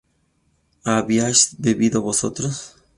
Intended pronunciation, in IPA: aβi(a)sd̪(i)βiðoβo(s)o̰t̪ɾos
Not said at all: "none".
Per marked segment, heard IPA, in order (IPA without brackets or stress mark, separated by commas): a, e, s